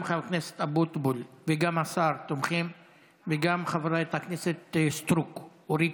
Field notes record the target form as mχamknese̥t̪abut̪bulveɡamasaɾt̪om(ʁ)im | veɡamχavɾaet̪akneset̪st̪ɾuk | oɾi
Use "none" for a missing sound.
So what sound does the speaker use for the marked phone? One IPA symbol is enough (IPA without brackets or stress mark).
χ